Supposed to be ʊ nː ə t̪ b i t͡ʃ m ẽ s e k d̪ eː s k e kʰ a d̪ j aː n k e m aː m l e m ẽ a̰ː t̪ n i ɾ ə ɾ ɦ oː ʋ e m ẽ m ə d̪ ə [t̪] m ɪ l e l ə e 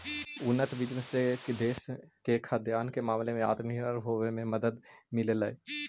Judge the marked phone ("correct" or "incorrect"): incorrect